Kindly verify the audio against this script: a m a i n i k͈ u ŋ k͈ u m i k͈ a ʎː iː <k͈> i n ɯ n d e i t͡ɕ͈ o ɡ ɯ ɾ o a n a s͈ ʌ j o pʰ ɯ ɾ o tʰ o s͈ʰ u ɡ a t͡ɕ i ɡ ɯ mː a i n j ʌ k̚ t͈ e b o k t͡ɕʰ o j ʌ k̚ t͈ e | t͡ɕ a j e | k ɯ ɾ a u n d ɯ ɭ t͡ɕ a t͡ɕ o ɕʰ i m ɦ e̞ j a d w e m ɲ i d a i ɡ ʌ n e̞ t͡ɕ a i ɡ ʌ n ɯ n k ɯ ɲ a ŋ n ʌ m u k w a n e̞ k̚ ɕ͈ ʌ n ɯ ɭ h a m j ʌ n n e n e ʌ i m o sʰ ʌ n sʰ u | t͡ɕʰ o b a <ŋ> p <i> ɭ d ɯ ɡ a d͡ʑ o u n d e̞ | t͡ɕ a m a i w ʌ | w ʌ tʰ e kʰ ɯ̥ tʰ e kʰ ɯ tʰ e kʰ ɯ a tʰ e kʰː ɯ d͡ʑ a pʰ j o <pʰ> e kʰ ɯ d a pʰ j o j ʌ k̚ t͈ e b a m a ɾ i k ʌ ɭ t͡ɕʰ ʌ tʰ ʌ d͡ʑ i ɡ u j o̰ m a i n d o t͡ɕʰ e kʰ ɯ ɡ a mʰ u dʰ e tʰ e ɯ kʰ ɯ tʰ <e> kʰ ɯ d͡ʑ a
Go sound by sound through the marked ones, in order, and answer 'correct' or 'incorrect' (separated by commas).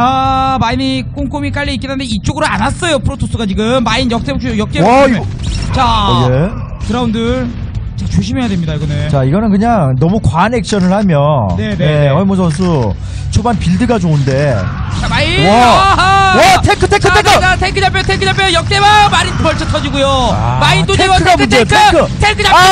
correct, incorrect, correct, incorrect, correct